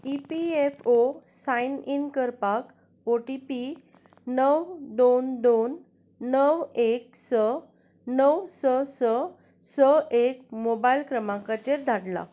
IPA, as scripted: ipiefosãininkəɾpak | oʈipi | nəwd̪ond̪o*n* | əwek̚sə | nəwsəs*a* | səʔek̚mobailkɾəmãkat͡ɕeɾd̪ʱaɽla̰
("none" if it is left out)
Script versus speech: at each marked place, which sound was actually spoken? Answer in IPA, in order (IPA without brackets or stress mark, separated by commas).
nː, ə